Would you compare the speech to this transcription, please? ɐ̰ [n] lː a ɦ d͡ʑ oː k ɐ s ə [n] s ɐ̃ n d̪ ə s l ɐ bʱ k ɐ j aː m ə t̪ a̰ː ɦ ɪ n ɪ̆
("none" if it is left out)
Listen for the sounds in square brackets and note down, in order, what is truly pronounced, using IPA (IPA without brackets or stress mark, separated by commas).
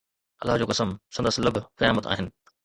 none, m